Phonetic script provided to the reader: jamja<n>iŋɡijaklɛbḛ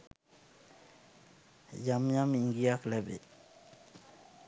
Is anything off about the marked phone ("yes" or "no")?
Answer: yes